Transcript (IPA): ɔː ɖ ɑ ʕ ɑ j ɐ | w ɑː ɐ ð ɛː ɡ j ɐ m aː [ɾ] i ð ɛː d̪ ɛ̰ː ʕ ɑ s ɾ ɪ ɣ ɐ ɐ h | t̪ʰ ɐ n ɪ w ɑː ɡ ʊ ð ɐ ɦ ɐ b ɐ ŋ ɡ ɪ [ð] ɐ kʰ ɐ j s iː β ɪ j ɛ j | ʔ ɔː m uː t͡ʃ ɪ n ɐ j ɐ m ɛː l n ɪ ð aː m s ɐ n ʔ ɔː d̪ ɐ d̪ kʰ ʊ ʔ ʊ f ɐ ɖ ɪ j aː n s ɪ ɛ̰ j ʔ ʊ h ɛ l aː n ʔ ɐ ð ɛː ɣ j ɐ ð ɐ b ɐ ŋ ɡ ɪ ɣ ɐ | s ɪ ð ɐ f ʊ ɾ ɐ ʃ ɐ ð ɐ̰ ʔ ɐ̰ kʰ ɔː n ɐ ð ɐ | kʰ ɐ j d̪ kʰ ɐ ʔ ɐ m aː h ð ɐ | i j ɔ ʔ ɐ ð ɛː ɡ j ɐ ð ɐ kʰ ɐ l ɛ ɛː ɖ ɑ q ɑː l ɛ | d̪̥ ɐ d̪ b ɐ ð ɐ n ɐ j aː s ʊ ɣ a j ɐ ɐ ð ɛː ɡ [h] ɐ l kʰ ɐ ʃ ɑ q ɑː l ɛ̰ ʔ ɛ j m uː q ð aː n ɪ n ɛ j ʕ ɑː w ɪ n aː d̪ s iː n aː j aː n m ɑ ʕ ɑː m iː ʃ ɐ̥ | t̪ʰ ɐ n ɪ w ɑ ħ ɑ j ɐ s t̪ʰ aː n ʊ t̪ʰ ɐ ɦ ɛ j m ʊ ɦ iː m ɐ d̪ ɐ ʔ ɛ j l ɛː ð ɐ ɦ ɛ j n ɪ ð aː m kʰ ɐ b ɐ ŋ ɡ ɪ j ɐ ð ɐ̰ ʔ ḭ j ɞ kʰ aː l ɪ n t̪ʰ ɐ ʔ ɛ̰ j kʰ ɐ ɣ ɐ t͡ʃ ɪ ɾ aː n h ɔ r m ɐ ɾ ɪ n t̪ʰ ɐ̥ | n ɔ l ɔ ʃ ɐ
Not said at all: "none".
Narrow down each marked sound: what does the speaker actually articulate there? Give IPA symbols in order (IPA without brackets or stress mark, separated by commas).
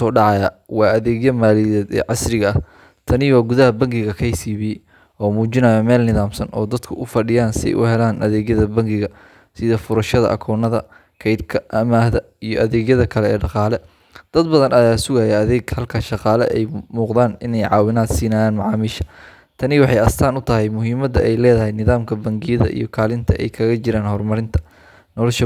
l, ɣ, h